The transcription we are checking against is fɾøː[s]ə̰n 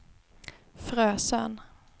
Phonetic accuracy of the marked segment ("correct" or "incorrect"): correct